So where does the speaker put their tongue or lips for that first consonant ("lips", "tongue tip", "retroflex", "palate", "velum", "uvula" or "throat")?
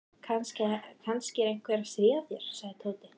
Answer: velum